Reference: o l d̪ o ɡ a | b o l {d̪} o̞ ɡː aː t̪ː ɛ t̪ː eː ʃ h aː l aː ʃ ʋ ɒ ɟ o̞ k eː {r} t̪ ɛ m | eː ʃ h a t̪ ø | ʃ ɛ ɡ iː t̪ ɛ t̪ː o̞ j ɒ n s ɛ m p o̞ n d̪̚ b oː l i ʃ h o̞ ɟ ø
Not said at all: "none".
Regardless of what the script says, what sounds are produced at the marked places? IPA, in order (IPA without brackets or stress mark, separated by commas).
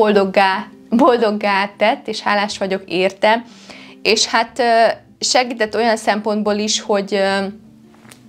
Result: d̪, r